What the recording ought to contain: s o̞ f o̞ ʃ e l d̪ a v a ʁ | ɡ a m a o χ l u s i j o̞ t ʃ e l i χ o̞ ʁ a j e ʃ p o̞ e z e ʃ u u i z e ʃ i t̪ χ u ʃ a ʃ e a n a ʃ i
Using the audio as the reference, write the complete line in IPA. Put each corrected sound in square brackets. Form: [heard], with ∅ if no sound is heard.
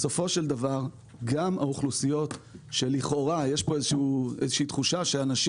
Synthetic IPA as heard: s o̞ f o̞ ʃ e l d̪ a v a ʁ | ɡ a m a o χ l u s i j o̞ t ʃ e l i χ o̞ ʁ a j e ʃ p o̞ e z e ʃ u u [e] z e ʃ [iː] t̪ χ u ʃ a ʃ e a n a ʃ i